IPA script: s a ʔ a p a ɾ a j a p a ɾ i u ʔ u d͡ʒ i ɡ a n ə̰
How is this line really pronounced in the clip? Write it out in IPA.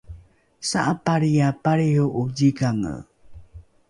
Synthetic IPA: s a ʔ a p a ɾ i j a p a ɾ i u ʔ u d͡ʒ i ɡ a ŋ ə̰